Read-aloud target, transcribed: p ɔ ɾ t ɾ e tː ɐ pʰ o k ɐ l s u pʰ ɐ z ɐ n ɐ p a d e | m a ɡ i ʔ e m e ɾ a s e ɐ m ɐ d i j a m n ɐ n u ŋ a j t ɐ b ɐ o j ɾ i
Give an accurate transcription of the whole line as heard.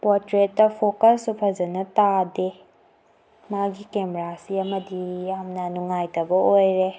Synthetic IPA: p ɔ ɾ t ɾ e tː ɐ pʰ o k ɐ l s u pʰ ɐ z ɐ n ɐ t a d e | m a ɡ i k e m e ɾ a s i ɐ m ɐ d i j a m n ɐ n u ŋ a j t ɐ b ɐ o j ɾ e

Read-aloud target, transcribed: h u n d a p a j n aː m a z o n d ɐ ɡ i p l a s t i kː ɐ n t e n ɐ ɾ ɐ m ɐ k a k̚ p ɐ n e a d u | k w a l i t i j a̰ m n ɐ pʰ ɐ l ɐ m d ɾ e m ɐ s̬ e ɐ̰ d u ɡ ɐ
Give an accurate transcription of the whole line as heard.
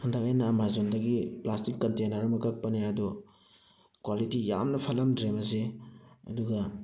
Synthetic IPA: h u n d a k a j n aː m a z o n d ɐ ɡ i p l a s t i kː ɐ n t e n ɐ ɾ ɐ m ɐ k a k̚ p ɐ n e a d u | k w a l i t i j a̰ m n ɐ pʰ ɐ l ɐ m d ɾ e m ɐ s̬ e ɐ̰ d u ɡ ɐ

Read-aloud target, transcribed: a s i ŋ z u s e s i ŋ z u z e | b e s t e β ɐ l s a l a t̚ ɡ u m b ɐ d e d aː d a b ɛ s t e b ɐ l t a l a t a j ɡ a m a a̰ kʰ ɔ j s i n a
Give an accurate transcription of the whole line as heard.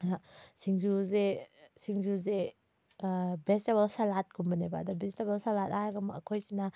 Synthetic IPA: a s i ŋ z u z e s i ŋ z u z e | b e s t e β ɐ l s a l a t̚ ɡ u m b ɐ n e b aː d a b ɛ s t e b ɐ l s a l a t a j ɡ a m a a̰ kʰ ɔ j s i n a

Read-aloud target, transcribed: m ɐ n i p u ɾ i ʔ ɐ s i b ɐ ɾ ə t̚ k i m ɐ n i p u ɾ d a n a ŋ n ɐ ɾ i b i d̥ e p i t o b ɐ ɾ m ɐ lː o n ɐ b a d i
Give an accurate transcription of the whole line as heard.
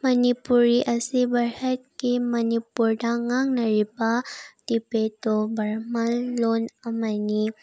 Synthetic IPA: m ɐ n i p u ɾ i ʔ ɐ s i b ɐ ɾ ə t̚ k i m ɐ n i p u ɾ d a ŋ a ŋ n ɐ ɾ i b a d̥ i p e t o b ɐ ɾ m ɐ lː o n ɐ m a n i

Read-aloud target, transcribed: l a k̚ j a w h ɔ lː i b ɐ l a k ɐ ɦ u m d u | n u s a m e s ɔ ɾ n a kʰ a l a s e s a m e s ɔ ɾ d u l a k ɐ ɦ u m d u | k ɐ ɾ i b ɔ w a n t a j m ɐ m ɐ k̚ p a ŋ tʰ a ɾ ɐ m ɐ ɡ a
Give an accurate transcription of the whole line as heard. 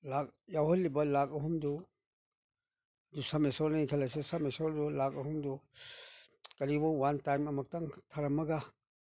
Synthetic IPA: l a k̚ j a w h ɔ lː i b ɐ l a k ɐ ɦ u m d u | d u s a m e s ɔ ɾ n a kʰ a l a s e s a m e s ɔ ɾ d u l a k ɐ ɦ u m d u | k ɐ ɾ i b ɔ w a n t a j m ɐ m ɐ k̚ t a ŋ tʰ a ɾ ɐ m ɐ ɡ a

